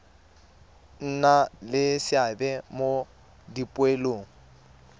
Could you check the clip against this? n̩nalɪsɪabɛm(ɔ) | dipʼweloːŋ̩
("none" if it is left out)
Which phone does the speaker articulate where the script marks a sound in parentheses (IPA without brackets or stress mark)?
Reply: o